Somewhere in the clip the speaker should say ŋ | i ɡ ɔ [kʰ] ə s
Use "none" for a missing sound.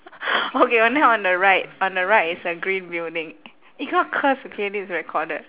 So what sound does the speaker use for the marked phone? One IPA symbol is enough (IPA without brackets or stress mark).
kʰ